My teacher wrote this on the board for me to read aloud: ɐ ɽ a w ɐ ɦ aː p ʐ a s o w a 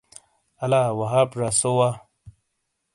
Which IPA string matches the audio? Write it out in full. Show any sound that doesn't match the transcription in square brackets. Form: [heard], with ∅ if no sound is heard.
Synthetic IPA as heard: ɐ [l] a w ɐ ɦ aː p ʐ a s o w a